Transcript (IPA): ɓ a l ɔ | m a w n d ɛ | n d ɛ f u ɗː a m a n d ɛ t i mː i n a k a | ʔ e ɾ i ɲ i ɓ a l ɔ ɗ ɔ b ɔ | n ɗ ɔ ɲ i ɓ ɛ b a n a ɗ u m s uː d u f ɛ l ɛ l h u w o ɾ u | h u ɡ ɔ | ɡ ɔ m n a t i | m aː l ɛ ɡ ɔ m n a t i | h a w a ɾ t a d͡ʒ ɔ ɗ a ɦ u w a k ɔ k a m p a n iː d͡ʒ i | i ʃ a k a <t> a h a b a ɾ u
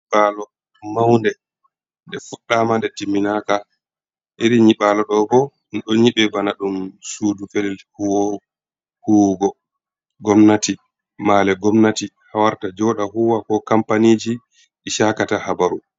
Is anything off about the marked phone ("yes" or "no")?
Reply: no